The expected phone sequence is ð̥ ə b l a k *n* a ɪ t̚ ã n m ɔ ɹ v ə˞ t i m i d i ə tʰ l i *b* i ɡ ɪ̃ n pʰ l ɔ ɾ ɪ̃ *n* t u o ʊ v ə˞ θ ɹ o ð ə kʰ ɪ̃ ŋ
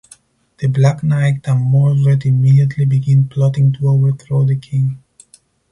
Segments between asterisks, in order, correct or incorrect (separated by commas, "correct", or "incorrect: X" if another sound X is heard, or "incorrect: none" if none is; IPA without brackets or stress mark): correct, correct, incorrect: ŋ